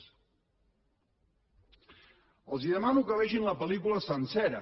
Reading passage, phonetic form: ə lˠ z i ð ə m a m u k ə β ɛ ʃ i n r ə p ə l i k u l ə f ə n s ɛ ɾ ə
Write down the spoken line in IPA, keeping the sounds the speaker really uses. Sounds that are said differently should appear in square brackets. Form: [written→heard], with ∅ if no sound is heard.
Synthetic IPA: ə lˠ z i ð ə m a [m→n] u k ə β ɛ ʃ i n [r→l] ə p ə l i k u l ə [f→s] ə n s ɛ ɾ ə